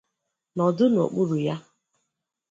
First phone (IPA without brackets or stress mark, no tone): n